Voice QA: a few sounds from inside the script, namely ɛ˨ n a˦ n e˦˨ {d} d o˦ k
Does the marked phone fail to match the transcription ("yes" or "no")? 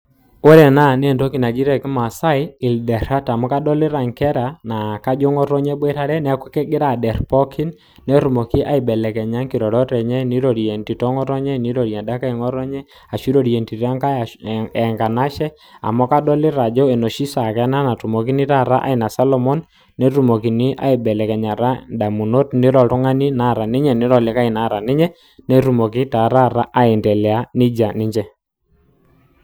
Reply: yes